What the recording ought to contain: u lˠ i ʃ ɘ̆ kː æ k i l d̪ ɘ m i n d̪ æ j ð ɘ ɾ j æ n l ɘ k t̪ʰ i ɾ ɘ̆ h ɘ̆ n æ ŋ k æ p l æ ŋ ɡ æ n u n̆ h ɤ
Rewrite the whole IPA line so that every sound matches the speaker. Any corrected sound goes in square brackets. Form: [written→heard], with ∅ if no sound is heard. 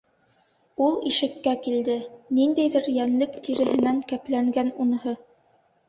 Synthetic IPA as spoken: u lˠ i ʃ ɘ̆ kː æ k i l d̪ ɘ [m→n] i n d̪ æ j ð ɘ ɾ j æ n l ɘ k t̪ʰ i ɾ ɘ̆ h ɘ̆ n æ ŋ k æ p l æ ŋ ɡ æ n u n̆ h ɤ